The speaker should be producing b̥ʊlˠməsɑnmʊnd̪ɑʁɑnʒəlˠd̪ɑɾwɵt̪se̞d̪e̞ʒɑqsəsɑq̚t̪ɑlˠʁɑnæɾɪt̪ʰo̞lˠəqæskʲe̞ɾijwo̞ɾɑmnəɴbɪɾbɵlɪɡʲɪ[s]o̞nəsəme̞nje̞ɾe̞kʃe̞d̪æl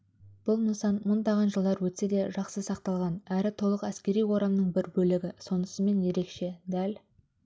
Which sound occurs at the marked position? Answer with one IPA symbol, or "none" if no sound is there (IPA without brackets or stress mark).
s